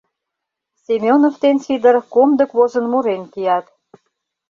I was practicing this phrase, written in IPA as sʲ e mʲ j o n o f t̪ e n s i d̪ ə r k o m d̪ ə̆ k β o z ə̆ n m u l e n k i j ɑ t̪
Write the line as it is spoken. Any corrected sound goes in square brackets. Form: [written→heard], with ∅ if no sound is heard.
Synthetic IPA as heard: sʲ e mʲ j o n o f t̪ e n s i d̪ ə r k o m d̪ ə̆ k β o z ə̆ n m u [l→ɾ] e n k i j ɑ t̪